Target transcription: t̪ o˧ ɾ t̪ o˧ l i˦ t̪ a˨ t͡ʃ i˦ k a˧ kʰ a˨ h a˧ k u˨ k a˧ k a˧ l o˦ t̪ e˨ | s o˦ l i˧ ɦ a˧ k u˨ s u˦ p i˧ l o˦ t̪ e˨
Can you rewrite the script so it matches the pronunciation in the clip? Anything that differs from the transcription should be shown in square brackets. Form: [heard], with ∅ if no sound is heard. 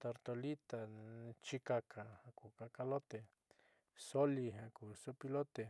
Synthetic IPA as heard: t̪ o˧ ɾ t̪ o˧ l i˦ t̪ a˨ t͡ʃ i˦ k a˧ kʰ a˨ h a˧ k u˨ k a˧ k a˧ l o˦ t̪ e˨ | s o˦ l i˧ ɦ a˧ k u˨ s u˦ p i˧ l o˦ t̪ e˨